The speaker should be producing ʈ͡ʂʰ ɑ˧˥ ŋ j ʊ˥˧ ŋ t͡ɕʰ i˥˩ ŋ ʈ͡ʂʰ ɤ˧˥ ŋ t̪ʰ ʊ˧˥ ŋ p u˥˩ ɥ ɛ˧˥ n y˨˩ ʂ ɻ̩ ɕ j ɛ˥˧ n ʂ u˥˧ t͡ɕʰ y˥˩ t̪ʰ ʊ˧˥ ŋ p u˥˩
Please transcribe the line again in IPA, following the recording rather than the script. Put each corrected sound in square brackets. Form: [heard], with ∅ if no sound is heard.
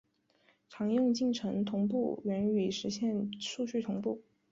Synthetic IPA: ʈ͡ʂʰ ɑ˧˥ ŋ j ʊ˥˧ ŋ [t͡ɕ] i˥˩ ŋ ʈ͡ʂʰ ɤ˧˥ ŋ t̪ʰ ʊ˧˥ ŋ p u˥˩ ɥ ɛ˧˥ n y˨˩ ʂ ɻ̩ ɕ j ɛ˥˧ n ʂ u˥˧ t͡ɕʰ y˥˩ t̪ʰ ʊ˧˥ ŋ p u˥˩